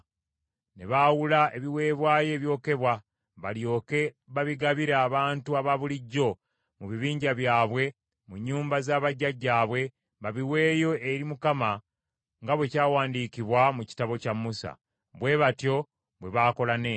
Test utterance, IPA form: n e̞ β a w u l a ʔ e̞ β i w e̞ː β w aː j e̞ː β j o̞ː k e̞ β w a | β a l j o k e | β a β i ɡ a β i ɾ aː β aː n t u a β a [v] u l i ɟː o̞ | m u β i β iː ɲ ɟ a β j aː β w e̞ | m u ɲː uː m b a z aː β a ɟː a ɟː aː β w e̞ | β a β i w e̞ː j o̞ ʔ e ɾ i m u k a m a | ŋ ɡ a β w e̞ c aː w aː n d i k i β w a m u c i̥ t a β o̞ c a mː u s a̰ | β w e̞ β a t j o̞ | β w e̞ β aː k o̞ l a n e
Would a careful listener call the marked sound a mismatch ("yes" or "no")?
yes